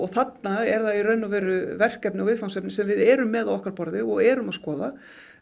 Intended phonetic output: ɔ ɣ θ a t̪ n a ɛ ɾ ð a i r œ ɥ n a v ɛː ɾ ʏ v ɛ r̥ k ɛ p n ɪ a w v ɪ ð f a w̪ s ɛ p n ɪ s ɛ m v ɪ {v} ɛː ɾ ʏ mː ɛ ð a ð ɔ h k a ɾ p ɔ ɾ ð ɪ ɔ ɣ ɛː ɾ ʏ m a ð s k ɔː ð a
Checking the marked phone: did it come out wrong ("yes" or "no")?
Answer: yes